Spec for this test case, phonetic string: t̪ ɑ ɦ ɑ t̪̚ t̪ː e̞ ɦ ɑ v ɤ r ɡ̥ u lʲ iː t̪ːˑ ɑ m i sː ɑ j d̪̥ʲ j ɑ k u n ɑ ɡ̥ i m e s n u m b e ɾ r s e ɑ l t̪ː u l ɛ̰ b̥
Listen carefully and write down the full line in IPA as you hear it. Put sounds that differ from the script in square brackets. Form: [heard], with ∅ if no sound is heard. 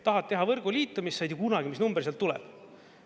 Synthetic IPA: t̪ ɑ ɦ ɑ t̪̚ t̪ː e̞ ɦ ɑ v ɤ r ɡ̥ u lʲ iː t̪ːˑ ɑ m i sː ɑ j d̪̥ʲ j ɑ k u n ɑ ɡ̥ i m [i] s n u m b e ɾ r s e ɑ l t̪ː u l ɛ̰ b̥